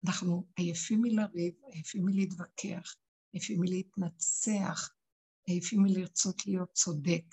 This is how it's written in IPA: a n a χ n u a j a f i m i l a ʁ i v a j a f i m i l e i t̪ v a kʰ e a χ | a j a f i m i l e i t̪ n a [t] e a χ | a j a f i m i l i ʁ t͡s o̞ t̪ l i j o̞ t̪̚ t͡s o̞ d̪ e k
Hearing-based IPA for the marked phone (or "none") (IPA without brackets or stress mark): t͡s